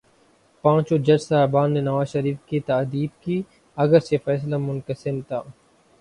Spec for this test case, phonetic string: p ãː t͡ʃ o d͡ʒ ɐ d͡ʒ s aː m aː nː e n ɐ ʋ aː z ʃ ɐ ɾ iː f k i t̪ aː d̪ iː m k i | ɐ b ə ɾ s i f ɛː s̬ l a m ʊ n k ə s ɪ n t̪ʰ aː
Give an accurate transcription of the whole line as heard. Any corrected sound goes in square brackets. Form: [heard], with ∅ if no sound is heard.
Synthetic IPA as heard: p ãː t͡ʃ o d͡ʒ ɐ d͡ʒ s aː [b] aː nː e n ɐ ʋ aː z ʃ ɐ ɾ iː f k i t̪ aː d̪ iː [b] k i | ɐ [ɡ] ə ɾ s [e] f ɛː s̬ l a m ʊ n k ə s ɪ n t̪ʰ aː

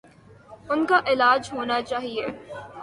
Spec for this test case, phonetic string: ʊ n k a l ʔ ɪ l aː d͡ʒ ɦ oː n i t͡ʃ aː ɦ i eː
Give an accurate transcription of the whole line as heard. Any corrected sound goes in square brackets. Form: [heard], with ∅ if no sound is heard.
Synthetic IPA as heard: ʊ n k a [∅] ʔ ɪ l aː d͡ʒ ɦ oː n [a] t͡ʃ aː ɦ i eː

